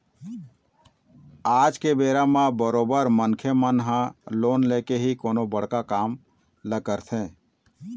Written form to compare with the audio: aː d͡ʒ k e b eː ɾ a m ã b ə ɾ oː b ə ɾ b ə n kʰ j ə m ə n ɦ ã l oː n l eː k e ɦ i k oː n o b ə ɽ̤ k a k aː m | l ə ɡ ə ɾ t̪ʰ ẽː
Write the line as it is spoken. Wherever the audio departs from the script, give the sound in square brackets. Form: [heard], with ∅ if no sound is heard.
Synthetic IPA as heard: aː d͡ʒ k e b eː ɾ a m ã b ə ɾ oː b ə ɾ [m] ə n kʰ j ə m ə n ɦ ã l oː n l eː k e ɦ i k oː n o b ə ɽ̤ k a k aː m | l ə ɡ ə ɾ t̪ʰ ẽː